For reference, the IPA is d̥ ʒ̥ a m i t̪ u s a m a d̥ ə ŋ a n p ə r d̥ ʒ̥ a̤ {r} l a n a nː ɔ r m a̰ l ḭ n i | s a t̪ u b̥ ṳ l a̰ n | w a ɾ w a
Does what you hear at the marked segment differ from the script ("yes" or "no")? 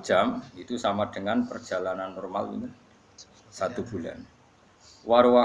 yes